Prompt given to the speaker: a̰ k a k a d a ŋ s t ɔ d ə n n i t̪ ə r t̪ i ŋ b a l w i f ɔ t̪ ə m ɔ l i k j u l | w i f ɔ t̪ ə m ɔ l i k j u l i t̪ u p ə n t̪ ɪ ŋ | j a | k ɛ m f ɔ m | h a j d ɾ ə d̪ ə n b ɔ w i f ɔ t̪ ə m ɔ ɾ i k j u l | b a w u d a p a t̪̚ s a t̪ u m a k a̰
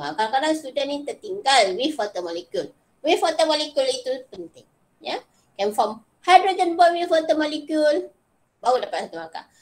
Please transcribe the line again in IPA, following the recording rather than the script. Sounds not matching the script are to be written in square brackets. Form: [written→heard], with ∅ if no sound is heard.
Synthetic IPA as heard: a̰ k a k a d a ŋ s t [ɔ→u] d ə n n i t̪ ə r t̪ i ŋ [b→ɡ] a l w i f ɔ t̪ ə m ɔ l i k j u l | w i f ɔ t̪ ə m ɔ l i k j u l i t̪ u p ə n t̪ ɪ ŋ | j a | k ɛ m f ɔ m | h a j d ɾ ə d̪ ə n b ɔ w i f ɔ t̪ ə m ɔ [ɾ→l] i k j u l | b a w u d a p a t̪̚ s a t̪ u m a k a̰